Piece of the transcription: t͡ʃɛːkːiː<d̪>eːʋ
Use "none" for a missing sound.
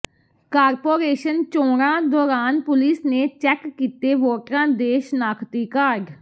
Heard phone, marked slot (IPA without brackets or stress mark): t̪